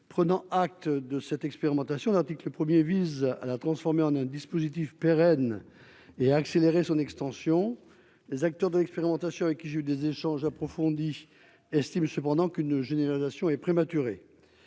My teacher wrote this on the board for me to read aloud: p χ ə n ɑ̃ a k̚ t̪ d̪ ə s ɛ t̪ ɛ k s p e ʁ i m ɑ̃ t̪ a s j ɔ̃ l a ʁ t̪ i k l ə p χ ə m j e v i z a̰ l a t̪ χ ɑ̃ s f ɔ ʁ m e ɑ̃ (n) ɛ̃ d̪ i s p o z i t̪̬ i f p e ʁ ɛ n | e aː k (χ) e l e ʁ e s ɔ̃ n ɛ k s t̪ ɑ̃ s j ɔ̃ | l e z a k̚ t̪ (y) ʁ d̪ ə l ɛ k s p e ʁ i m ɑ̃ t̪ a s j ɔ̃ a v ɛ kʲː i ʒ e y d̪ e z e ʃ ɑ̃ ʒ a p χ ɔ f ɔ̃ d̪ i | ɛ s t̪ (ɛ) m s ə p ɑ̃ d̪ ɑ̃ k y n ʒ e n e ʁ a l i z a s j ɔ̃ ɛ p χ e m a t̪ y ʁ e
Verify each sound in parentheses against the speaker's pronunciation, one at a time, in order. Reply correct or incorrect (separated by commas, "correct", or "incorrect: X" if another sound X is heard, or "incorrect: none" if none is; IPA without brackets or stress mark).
correct, incorrect: s, incorrect: œ, incorrect: i